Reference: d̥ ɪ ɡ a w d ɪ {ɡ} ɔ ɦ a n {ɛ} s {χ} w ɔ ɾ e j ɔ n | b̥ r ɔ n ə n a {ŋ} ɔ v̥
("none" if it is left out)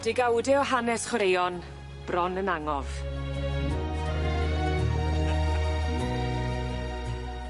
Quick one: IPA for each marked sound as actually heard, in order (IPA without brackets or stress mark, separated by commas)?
none, ɛ, χ, ŋ